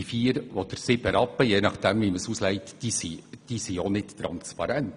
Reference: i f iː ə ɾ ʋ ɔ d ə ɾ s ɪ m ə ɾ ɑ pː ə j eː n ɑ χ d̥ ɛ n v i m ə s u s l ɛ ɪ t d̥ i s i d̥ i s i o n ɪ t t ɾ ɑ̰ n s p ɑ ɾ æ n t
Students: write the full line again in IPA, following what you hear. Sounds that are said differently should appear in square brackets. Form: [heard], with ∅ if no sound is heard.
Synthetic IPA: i f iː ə ɾ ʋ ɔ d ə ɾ s ɪ [b] ə ɾ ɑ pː ə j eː n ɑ χ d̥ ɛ [m] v i m ə s u s l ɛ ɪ t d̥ i s i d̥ i s i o n ɪ t t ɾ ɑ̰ n s p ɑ ɾ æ n t